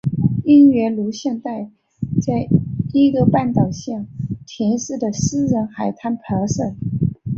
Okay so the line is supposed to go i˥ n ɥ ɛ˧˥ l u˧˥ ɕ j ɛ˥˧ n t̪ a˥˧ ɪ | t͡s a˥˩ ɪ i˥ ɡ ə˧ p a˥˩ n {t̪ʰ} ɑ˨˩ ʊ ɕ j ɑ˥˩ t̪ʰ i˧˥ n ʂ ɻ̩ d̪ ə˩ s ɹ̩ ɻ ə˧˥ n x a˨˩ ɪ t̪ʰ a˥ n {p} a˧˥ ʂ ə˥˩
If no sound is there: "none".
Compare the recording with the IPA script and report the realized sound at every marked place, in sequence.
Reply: t̪, pʰ

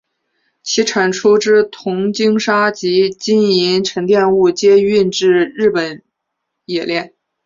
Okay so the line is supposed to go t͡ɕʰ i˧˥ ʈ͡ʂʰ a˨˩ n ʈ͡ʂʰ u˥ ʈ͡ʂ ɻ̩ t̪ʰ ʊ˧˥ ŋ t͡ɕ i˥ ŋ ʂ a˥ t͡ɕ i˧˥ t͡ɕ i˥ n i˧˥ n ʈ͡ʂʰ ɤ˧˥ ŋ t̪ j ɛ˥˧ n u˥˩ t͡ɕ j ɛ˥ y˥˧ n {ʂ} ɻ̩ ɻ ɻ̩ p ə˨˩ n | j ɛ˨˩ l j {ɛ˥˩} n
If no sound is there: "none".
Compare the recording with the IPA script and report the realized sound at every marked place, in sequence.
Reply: ʈ͡ʂ, ɛ˥˩

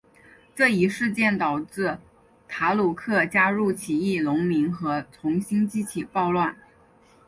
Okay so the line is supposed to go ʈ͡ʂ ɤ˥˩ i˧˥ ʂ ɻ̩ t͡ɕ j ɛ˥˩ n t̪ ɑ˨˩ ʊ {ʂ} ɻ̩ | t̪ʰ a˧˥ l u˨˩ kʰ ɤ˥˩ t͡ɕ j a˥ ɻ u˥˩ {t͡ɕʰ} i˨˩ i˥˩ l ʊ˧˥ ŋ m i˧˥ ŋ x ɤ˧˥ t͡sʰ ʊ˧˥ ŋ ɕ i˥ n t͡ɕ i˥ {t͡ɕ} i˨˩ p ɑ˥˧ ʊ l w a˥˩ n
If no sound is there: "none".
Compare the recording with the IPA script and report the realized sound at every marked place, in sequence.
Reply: ʈ͡ʂ, t͡ɕʰ, t͡ɕʰ

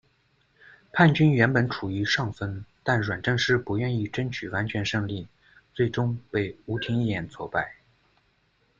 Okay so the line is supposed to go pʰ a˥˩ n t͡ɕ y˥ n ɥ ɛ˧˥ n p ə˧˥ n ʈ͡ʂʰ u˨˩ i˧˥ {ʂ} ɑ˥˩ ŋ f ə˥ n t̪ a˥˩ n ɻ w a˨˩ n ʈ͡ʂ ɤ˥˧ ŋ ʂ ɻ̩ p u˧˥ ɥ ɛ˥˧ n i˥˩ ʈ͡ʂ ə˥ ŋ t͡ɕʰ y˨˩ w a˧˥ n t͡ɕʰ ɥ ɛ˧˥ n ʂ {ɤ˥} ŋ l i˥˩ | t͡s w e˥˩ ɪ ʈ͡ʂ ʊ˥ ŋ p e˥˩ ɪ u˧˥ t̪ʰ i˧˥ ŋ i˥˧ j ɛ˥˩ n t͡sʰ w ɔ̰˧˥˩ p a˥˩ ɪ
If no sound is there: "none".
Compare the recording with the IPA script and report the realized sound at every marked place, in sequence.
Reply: ʂ, ɤ˥˧

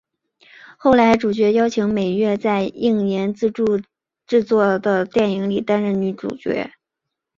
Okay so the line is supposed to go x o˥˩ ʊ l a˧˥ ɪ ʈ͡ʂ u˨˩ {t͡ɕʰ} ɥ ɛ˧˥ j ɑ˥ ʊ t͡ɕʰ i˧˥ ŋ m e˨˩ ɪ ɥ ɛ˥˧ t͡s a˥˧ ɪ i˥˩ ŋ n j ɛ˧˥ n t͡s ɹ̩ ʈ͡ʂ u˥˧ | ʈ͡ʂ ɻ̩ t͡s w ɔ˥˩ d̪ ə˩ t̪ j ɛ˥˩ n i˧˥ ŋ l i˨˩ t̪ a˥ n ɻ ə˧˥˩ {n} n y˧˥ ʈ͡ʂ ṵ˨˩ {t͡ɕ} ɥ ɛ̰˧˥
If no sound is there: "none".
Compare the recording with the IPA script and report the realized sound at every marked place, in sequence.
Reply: t͡ɕ, n, t͡ɕ

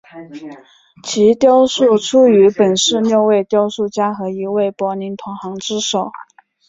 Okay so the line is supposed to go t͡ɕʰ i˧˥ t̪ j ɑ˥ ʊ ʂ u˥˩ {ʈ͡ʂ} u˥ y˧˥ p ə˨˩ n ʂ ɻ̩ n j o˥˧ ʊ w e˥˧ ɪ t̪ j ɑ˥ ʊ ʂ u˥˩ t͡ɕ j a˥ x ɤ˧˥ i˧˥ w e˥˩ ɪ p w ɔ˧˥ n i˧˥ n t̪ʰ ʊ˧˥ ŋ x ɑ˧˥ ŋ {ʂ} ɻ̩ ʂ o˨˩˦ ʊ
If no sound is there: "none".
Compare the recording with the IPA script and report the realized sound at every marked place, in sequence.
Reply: ʈ͡ʂʰ, ʈ͡ʂ

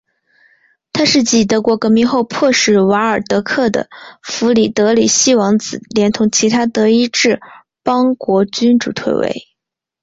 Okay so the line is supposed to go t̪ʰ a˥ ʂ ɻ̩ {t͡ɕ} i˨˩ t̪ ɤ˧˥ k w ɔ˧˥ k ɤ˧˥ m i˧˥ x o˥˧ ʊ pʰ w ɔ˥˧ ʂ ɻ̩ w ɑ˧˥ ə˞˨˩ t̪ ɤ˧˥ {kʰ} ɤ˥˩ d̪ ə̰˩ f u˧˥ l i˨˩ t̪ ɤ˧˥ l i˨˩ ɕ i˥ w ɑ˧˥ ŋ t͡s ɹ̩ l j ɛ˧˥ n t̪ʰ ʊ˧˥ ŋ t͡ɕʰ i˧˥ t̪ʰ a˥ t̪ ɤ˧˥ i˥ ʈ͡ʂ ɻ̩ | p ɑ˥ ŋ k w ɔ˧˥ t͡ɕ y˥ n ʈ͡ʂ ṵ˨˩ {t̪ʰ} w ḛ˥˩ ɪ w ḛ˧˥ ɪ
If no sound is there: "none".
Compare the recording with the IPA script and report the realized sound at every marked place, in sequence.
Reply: t͡ɕ, kʰ, t̪ʰ

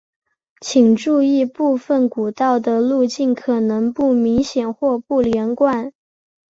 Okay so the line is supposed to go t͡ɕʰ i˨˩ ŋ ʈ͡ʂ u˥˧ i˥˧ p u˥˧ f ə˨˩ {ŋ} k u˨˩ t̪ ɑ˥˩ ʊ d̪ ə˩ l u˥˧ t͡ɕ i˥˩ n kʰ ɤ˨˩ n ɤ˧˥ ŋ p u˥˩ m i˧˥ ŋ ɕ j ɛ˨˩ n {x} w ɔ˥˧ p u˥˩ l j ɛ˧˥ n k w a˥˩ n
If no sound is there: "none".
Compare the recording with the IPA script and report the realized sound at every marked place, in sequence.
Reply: n, x

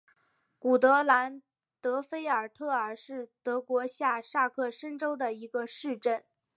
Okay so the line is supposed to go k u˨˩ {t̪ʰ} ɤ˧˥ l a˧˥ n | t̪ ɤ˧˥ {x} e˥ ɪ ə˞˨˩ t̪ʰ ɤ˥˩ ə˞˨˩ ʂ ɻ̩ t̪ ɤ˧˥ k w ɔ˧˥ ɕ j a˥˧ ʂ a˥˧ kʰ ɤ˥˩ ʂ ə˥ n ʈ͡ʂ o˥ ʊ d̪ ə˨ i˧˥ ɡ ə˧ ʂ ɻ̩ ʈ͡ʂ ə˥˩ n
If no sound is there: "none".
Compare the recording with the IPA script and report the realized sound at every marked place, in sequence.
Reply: t̪, f

